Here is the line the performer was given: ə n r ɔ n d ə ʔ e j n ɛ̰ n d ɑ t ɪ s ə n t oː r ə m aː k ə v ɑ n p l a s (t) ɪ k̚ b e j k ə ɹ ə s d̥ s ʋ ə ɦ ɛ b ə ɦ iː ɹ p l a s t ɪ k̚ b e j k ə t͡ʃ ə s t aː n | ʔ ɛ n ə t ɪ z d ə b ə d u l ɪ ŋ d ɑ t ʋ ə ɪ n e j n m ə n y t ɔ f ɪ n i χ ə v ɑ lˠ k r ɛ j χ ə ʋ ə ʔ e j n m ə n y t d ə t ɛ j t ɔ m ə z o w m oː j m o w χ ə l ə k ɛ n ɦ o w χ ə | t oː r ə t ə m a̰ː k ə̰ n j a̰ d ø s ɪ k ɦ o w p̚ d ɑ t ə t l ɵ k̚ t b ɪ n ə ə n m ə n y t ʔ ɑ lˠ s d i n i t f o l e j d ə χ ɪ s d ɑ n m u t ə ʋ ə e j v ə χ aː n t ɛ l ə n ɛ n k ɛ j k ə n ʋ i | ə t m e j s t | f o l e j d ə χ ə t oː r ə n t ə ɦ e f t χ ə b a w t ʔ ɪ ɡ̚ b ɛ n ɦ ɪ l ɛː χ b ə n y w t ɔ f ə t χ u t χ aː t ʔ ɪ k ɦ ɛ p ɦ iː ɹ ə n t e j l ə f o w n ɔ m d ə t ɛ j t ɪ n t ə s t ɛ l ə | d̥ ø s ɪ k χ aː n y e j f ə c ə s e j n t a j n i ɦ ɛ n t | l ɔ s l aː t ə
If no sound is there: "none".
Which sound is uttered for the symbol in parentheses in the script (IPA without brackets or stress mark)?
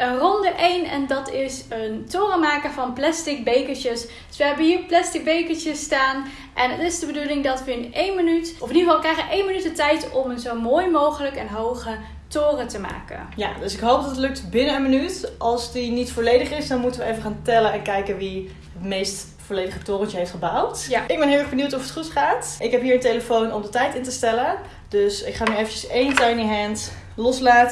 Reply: t